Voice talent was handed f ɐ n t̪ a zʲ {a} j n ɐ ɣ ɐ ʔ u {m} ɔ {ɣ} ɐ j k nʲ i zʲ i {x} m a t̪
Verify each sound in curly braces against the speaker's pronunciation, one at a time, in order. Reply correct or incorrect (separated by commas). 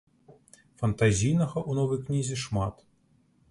incorrect, incorrect, incorrect, incorrect